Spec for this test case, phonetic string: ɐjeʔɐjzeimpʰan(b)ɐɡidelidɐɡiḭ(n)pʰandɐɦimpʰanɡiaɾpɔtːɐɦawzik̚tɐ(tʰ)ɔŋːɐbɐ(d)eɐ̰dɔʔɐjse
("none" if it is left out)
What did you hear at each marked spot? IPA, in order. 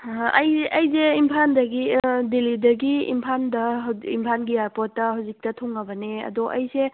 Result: d, m, tʰ, n

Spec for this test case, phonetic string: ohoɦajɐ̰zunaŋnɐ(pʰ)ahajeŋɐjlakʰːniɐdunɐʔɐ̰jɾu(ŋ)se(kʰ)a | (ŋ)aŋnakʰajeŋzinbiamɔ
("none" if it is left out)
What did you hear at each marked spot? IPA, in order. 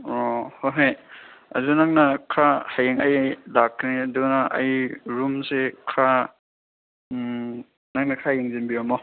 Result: kʰ, m, kʰ, n

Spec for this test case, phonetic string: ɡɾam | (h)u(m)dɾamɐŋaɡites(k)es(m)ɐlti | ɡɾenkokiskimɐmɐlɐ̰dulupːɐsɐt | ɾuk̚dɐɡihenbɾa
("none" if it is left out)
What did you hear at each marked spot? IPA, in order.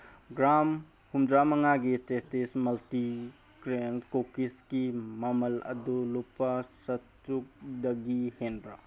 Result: h, m, t, m

